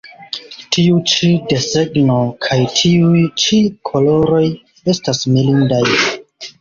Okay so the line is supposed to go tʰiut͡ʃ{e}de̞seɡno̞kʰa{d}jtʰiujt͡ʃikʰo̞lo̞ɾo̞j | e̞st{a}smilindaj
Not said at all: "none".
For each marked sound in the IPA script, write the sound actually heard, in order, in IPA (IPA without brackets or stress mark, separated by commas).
i, none, a